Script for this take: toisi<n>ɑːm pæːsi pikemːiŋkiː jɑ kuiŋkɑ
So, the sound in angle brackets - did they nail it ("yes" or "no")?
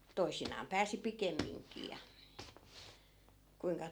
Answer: yes